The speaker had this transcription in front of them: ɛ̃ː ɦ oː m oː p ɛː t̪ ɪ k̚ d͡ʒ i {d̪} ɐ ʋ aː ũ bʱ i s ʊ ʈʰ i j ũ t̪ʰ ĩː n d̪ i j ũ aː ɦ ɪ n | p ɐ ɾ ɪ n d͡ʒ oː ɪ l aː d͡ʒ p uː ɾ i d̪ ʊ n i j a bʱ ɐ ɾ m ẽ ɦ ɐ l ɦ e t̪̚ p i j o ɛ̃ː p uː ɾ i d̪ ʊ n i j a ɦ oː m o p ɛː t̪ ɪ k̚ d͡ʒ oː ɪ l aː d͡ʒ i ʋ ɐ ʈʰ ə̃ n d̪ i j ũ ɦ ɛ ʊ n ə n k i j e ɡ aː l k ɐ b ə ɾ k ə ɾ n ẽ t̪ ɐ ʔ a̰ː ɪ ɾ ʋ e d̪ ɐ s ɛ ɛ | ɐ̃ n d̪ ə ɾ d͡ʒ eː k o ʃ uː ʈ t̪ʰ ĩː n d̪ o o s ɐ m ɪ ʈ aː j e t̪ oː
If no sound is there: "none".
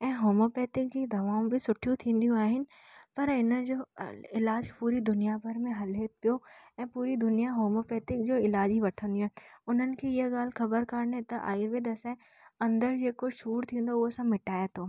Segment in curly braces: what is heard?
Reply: d̪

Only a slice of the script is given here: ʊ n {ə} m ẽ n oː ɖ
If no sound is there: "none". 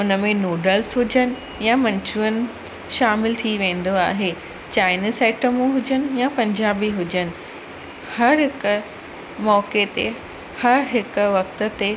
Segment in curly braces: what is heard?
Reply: ə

